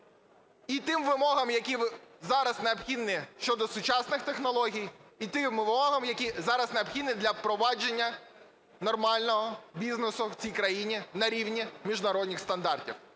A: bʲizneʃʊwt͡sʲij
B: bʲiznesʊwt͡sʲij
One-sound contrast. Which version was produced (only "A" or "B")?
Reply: B